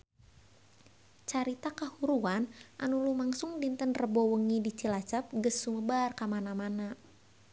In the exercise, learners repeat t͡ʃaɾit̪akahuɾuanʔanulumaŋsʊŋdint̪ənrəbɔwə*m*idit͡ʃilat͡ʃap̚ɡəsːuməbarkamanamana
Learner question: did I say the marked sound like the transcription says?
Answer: no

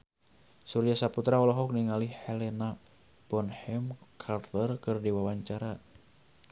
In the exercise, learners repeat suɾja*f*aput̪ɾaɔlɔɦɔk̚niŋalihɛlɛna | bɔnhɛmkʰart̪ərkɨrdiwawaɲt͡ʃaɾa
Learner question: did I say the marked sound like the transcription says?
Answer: no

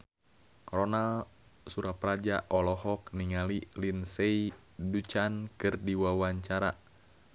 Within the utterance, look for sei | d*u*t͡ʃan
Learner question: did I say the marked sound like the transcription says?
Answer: yes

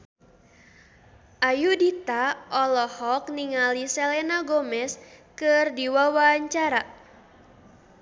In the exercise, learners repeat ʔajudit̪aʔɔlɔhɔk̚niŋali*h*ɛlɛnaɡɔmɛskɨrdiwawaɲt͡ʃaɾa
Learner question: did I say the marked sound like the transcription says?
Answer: no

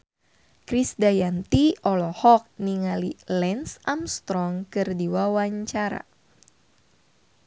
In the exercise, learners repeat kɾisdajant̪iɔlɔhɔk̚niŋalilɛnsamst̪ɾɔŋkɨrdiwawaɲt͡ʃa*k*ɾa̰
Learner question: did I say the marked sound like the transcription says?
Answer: no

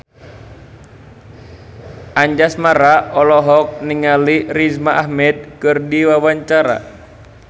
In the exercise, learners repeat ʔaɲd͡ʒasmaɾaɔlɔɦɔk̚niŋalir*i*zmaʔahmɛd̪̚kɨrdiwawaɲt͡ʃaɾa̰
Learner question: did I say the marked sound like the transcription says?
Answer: yes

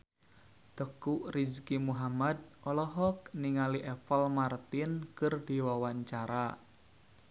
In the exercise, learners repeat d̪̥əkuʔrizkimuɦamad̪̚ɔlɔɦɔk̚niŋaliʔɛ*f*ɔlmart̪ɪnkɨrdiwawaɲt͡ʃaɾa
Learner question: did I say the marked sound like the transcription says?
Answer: yes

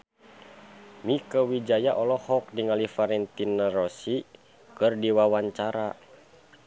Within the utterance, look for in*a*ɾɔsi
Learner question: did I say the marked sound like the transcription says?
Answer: yes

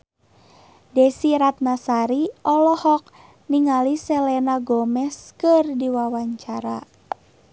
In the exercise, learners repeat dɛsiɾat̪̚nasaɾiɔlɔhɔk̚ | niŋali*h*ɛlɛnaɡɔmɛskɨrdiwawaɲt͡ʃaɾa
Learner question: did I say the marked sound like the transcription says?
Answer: no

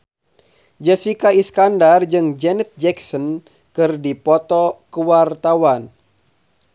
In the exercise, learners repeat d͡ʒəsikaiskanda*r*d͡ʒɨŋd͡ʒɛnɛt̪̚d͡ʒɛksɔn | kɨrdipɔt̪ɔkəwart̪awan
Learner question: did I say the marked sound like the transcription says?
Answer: yes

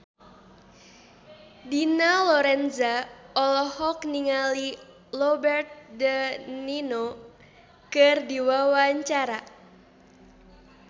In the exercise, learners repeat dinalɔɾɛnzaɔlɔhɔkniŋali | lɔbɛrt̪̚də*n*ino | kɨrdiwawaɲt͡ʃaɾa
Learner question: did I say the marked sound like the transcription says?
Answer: yes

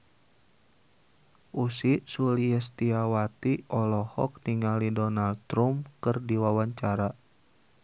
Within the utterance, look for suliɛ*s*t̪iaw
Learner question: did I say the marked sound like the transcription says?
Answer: yes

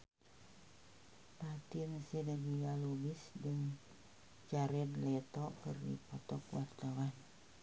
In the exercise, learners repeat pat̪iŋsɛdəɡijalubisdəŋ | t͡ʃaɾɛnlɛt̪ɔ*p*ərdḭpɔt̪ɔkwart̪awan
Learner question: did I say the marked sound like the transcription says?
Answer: no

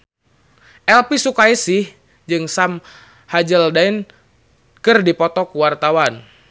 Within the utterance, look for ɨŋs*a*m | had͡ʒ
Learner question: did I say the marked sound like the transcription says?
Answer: yes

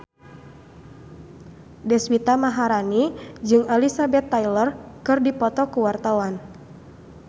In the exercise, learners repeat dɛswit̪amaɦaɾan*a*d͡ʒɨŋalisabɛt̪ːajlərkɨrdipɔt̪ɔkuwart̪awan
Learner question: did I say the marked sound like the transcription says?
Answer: no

